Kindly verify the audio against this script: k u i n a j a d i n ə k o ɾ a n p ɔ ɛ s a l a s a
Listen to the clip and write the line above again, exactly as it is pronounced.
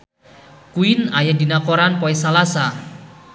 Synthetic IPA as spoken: k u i n a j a d i n a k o ɾ a n p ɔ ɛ s a l a s a